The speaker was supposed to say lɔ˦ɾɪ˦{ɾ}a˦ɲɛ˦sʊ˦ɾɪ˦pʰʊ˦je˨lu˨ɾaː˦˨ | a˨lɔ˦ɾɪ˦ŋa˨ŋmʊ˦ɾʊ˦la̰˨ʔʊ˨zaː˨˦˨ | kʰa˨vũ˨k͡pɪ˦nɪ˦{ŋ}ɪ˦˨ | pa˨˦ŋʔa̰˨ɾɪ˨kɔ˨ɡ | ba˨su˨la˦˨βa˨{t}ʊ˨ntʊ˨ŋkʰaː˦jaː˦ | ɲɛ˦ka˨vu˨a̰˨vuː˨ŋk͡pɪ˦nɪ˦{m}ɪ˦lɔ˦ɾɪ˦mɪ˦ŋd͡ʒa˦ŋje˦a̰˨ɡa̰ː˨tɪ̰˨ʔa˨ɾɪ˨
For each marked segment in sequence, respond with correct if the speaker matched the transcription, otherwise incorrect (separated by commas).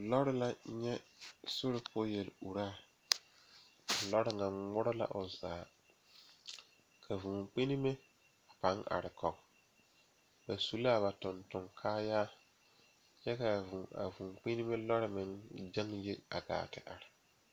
incorrect, incorrect, correct, correct